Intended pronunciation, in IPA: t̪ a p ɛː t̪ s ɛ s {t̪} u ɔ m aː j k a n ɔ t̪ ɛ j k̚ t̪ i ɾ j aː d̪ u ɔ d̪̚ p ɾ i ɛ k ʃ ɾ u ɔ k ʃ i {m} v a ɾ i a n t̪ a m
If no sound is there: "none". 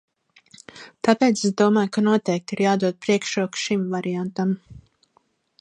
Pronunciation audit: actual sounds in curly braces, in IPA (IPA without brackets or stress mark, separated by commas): d̪, m